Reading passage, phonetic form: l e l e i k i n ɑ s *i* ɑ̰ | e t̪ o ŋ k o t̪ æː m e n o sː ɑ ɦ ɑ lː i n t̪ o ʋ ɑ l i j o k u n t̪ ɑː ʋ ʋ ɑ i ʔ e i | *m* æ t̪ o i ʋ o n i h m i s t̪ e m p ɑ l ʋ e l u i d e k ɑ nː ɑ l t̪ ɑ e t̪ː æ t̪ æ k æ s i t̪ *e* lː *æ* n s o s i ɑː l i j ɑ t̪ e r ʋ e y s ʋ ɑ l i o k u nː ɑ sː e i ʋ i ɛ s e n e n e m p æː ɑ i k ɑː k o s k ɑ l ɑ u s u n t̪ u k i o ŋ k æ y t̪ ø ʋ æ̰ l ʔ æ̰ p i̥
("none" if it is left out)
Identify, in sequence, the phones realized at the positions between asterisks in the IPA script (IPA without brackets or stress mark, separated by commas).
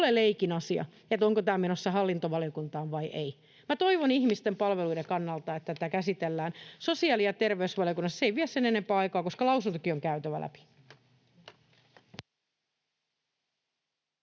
i, m, e, æː